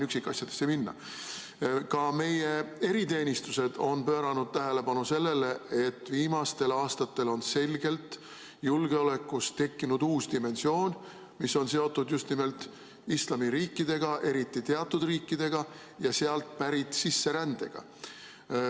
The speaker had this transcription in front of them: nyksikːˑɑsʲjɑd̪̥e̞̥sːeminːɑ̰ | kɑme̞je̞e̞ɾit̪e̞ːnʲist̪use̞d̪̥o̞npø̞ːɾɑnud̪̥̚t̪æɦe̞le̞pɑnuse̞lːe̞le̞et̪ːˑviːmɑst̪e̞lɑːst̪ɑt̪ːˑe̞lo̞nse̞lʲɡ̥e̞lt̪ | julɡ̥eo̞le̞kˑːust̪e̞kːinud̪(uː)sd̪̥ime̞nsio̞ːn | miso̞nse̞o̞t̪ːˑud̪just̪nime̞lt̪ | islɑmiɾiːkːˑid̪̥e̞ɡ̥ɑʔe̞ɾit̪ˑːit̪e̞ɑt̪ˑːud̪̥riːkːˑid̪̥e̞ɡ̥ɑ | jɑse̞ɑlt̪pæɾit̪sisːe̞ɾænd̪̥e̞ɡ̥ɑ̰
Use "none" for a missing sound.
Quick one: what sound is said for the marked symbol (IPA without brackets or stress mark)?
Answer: uː